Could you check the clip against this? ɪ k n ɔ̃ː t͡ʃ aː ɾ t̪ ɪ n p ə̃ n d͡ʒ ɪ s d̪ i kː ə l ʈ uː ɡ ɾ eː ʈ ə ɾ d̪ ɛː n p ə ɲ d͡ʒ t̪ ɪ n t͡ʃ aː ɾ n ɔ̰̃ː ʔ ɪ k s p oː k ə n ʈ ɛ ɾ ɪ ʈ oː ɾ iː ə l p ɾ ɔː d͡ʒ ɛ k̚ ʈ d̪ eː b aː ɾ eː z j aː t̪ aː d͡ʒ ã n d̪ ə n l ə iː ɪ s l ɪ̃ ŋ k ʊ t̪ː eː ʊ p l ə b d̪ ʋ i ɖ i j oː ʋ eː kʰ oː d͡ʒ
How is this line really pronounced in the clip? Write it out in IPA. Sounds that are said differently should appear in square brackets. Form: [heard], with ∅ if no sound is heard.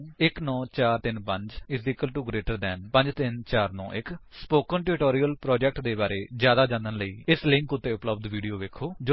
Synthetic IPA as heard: ɪ k n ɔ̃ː t͡ʃ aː ɾ t̪ ɪ n p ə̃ [ɲ] d͡ʒ ɪ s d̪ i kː ə l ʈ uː ɡ ɾ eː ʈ ə ɾ d̪ ɛː n p ə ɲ d͡ʒ t̪ ɪ n t͡ʃ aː ɾ n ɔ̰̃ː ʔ ɪ k s p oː k ə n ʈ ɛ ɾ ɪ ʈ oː ɾ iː ə l p ɾ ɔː d͡ʒ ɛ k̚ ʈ d̪ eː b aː ɾ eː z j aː [d̪] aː d͡ʒ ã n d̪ ə n l ə iː ɪ s l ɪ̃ ŋ k ʊ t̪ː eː ʊ p l ə b d̪ ʋ [iː] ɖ i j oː ʋ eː kʰ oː d͡ʒ